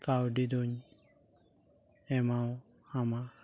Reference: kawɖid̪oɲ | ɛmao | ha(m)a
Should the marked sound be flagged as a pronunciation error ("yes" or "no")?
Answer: no